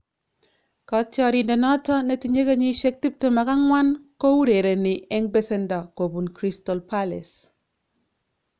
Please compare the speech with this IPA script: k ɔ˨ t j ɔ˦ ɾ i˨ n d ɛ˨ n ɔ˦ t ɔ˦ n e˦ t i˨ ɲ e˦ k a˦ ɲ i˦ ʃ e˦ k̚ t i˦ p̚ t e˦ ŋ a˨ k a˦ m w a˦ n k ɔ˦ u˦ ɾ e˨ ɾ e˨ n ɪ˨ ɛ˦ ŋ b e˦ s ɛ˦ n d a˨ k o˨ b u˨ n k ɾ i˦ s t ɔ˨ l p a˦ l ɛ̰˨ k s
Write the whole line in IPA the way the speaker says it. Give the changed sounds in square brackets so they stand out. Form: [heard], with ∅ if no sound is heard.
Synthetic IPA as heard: k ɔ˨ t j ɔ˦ ɾ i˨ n d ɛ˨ n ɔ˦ t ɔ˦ n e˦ t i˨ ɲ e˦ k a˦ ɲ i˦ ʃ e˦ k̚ t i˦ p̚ t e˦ [m] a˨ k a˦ [ŋ] w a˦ n k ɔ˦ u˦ ɾ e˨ ɾ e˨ n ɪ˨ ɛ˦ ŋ b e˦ s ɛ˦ n d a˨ k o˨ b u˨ n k ɾ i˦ s t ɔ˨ l p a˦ l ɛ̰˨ [∅] s

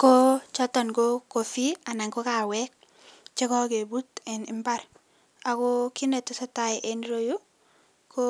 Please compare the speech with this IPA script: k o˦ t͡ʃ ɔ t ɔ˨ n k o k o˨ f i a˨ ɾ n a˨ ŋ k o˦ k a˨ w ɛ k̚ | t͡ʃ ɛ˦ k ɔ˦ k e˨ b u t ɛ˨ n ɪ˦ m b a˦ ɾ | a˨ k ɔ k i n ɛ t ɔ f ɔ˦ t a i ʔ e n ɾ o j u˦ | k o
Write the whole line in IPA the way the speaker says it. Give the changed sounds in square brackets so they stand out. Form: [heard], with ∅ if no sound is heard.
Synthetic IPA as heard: k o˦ t͡ʃ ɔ t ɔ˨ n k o k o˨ f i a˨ [∅] n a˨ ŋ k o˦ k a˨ w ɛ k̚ | t͡ʃ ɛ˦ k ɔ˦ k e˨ b u t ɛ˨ n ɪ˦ m b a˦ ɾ | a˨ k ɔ k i n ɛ t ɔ [s] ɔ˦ t a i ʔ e n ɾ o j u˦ | k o

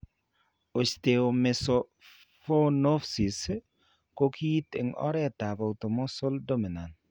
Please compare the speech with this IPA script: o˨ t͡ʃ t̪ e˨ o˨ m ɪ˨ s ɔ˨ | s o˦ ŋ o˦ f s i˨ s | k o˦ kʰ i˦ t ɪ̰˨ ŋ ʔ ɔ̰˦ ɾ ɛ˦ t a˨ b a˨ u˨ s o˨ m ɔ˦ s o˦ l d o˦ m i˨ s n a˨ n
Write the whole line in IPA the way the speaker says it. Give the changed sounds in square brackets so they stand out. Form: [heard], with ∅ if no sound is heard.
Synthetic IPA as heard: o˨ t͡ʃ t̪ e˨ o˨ m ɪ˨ s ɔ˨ | [f] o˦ [n] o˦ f s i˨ s | k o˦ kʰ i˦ t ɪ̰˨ ŋ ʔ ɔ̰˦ ɾ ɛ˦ t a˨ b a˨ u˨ [t] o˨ m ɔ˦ s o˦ l d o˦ m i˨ [∅] n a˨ n

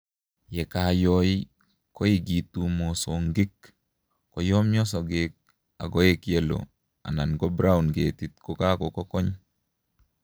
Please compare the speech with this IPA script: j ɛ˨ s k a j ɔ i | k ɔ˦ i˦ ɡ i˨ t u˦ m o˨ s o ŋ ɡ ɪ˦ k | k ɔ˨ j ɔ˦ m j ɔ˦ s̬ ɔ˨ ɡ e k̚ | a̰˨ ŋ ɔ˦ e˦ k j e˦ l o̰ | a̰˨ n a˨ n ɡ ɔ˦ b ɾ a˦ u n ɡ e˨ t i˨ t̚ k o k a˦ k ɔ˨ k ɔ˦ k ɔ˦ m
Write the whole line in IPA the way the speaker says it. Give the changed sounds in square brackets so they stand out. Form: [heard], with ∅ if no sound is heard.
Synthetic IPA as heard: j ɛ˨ [∅] k a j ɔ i | k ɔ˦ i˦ ɡ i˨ t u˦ m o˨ s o ŋ ɡ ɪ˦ k | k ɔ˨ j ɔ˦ m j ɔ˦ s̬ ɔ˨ ɡ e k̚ | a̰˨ [ɡ] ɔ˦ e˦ k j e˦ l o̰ | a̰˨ n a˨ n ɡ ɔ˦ b ɾ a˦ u n ɡ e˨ t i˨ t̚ k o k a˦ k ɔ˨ k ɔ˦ k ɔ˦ [ɲ]

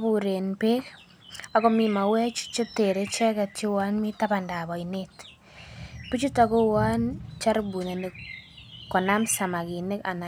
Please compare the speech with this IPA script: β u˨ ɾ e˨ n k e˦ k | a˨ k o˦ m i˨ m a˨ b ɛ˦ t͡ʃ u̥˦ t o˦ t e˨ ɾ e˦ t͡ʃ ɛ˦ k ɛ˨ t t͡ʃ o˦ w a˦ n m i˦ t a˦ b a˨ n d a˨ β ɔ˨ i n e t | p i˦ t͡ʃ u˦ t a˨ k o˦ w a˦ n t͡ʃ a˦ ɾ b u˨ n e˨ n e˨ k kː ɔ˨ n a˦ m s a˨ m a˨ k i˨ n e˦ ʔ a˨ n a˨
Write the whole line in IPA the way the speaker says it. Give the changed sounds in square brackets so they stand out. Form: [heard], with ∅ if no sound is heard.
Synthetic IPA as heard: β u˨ ɾ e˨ n [p] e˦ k | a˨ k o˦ m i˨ m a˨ [w] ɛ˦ t͡ʃ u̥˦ [t͡ʃ] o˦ t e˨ ɾ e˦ t͡ʃ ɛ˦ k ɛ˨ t t͡ʃ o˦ w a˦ n m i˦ t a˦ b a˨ n d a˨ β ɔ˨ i n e t | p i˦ t͡ʃ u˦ t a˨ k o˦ w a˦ n t͡ʃ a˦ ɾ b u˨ n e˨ n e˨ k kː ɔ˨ n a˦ m s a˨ m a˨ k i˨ n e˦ [k] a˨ n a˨

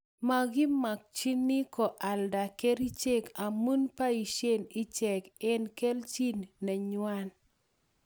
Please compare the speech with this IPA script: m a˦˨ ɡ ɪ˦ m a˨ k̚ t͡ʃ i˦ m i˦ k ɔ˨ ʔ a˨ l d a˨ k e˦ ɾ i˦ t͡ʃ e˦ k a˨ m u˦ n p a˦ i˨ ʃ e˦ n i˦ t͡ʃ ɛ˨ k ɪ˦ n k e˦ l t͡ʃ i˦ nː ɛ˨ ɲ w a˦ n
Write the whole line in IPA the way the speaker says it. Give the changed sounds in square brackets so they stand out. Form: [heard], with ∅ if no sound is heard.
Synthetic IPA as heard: m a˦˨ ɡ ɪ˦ m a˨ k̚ t͡ʃ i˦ [n] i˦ k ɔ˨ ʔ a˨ l d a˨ k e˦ ɾ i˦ t͡ʃ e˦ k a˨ m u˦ n p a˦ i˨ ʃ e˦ n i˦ t͡ʃ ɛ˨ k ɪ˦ n k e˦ l t͡ʃ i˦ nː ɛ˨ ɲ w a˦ n

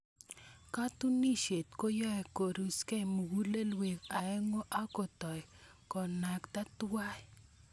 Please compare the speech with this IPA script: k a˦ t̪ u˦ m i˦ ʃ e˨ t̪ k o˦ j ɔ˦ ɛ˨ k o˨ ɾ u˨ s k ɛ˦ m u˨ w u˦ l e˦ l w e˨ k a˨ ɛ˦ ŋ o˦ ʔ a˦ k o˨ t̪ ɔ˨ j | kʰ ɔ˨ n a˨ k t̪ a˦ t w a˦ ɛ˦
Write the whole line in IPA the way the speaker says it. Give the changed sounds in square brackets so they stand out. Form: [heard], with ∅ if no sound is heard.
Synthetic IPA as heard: k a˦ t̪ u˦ [n] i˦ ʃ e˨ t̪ k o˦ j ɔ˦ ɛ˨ k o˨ ɾ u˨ s k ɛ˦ m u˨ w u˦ l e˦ l w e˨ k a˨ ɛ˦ ŋ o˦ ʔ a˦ k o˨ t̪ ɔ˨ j | [k] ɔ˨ n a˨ k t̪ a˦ t w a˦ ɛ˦

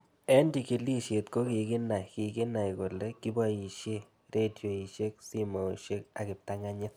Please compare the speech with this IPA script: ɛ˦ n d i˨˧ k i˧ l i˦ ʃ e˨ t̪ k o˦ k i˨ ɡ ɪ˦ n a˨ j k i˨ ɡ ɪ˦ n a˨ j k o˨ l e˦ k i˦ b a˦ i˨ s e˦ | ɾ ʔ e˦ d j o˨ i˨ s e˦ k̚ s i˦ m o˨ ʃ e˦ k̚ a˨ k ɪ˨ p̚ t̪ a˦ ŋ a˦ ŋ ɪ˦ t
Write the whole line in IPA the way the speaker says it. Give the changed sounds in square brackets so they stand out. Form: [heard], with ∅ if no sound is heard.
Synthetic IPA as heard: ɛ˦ n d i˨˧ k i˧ l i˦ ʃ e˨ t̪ k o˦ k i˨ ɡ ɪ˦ n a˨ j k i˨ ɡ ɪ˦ n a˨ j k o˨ l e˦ k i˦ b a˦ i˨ [ʃ] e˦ | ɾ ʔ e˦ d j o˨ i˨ [ʃ] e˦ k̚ s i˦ m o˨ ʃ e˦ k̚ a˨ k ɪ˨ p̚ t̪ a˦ ŋ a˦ [ɲ] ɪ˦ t

